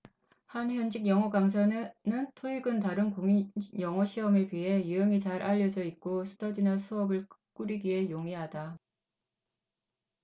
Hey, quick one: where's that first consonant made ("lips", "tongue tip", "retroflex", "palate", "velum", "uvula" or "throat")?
throat